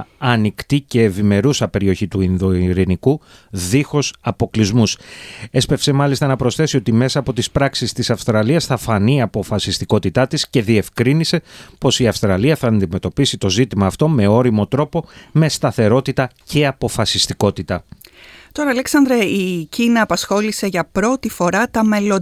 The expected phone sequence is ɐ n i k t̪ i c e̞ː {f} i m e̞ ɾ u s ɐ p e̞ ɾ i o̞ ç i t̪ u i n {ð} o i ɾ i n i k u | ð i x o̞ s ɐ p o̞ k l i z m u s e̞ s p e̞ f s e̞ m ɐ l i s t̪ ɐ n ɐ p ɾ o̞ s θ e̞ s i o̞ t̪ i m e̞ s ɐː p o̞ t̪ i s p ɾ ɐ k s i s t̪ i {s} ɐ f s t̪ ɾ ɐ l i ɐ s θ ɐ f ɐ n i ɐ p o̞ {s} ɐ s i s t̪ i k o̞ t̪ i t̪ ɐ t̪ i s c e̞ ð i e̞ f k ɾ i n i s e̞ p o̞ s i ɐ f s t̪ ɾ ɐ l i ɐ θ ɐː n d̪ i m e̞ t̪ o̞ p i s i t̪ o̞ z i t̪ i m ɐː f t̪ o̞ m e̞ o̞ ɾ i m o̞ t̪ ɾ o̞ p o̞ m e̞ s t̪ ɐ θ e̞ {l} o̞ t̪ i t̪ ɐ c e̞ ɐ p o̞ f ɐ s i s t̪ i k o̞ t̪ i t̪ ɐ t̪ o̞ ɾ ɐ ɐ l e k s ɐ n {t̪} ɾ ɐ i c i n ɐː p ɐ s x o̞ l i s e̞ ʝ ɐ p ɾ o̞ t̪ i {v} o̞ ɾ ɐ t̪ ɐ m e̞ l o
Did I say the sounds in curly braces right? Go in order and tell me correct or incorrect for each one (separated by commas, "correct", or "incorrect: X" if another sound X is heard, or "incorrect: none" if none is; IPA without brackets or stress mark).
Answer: incorrect: v, correct, correct, incorrect: f, incorrect: ɾ, incorrect: d̪, incorrect: f